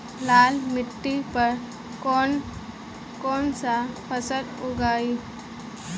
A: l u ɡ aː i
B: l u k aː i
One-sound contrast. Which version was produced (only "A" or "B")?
A